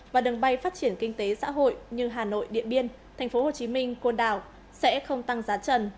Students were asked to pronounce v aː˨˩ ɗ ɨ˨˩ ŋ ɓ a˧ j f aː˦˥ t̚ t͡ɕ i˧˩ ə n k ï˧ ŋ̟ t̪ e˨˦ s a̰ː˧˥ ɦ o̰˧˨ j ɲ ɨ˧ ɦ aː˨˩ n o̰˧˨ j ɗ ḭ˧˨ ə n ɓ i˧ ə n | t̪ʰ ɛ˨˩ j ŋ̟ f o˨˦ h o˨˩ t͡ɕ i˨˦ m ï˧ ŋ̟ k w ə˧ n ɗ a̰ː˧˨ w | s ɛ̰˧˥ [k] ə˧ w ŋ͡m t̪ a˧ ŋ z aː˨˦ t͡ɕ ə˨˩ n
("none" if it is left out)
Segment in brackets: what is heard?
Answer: x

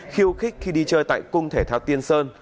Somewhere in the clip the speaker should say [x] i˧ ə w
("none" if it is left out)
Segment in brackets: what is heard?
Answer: x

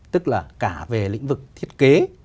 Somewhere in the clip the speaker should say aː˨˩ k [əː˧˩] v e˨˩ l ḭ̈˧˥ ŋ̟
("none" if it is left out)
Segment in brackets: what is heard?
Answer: aː˧˩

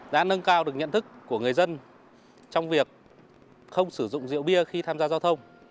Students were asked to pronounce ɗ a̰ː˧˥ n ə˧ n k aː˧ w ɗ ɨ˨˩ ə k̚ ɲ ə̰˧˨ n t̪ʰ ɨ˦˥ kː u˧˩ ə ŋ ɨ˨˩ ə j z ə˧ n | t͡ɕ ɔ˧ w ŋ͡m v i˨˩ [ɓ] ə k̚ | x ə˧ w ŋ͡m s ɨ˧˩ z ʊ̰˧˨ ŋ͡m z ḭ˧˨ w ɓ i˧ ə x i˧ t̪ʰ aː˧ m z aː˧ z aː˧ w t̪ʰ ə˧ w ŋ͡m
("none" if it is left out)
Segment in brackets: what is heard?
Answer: none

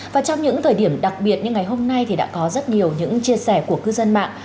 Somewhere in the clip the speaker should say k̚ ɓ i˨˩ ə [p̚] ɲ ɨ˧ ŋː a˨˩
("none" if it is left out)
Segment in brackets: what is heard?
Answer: t̚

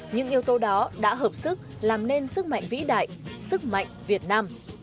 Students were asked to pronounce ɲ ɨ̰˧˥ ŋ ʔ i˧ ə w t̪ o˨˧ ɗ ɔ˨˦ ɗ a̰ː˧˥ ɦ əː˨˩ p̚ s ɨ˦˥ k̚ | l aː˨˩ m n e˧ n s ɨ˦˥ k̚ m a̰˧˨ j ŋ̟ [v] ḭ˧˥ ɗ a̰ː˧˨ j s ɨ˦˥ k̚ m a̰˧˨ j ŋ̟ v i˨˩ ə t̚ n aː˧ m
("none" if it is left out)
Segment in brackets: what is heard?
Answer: v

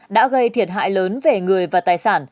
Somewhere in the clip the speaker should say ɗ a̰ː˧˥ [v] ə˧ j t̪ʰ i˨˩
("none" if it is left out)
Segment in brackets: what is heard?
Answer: ɣ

